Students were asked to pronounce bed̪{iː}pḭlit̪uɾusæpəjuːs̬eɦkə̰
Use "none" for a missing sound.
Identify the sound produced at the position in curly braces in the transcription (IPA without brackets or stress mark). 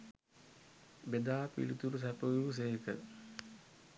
aː